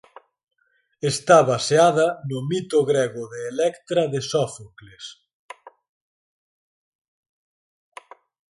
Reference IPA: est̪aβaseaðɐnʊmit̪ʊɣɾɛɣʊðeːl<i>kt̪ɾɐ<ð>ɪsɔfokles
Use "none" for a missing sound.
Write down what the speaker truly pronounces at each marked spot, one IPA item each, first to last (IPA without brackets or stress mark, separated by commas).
ɛ, ð